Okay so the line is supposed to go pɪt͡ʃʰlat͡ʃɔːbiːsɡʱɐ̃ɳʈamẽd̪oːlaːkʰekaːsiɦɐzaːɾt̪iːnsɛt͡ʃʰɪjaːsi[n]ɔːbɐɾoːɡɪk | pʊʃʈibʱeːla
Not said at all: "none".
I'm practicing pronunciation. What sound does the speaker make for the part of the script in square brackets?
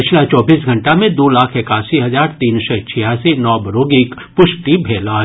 n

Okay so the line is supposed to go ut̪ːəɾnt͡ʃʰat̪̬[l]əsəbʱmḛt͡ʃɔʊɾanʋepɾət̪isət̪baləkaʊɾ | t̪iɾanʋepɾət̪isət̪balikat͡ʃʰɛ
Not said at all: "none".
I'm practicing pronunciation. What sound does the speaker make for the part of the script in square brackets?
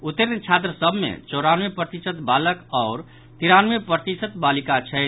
ɾ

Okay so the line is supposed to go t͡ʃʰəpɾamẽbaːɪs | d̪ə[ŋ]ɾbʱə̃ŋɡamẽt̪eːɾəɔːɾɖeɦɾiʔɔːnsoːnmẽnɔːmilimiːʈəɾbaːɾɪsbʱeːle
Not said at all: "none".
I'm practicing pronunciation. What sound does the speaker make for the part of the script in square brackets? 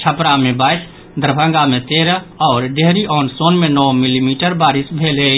none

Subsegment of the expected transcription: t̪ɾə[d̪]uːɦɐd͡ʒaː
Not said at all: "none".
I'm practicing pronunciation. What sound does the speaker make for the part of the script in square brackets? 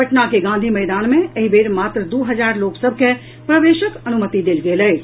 d̪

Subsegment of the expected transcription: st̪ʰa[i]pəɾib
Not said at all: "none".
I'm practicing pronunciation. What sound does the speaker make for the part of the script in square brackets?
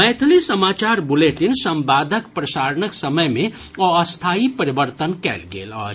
i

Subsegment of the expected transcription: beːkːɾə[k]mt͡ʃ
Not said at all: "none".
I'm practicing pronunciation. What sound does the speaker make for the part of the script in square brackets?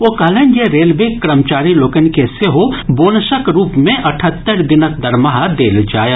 none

